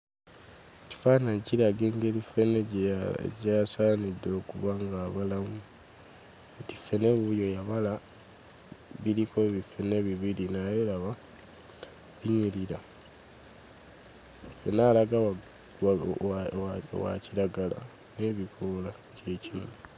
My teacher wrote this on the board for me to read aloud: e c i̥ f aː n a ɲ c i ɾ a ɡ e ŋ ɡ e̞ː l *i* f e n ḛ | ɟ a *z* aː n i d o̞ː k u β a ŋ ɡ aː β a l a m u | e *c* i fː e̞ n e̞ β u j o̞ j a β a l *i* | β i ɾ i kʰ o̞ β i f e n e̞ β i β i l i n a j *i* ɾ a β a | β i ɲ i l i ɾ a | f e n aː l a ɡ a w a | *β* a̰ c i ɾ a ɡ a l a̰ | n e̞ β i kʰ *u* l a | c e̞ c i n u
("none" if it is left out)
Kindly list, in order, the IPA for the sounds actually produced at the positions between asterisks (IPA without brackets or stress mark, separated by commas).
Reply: i, s, t, a, e, w, o